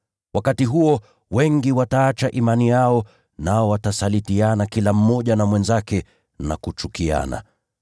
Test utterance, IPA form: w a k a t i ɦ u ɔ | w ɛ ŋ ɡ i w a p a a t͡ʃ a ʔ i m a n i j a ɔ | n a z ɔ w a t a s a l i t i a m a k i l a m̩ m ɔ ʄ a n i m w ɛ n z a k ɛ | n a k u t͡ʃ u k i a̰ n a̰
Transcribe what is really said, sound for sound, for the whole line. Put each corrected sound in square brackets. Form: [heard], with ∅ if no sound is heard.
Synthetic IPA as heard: w a k a t i ɦ u ɔ | w ɛ ŋ ɡ i w a [t] a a t͡ʃ a ʔ i m a n i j a ɔ | n a [∅] ɔ w a t a s a l i t i a [n] a k i l a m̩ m ɔ ʄ a n [a] m w ɛ n z a k ɛ | n a k u t͡ʃ u k i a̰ n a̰